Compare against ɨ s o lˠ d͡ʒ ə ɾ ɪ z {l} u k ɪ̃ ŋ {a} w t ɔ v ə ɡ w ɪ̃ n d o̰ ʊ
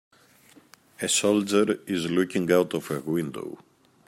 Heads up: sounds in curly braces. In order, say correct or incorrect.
correct, correct

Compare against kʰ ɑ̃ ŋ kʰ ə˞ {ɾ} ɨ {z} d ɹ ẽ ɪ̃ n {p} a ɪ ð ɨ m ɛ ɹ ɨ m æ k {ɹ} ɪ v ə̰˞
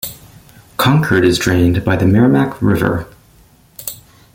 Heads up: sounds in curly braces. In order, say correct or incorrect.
correct, correct, incorrect: b, correct

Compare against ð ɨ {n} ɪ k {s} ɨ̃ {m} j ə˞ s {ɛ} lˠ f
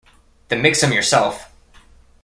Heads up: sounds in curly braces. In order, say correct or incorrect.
incorrect: m, correct, correct, correct

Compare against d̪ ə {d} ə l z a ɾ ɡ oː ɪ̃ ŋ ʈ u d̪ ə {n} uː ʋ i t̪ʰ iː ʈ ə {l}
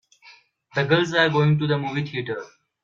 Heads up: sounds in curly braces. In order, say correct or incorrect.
incorrect: ɡ, incorrect: m, incorrect: ɾ

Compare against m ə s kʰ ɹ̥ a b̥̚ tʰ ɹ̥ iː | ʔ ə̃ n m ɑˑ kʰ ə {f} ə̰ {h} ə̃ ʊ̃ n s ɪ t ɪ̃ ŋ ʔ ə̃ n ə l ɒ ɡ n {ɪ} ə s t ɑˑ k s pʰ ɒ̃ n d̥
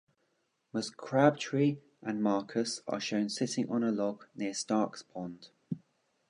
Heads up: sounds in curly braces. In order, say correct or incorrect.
incorrect: s, incorrect: ʃ, correct

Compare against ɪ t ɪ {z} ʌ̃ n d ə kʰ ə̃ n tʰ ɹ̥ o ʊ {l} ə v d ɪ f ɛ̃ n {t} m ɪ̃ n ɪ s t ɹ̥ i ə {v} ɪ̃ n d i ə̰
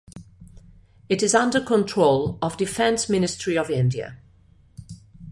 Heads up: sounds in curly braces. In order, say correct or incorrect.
correct, correct, incorrect: s, correct

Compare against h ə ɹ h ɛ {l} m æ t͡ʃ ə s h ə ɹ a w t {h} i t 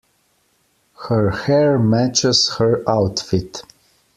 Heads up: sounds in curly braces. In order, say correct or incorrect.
incorrect: ɹ, incorrect: f

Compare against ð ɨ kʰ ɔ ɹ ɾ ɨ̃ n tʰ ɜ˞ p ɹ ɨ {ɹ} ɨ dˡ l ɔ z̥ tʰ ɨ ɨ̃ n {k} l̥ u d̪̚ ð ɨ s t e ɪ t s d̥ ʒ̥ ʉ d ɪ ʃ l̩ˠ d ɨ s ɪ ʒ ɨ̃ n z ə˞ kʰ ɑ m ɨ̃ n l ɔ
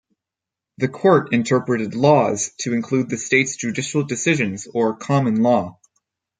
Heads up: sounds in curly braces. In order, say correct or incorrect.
incorrect: ɾ, incorrect: kʰ

